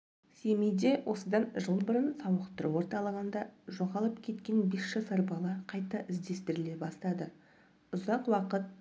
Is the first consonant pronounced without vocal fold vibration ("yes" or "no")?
yes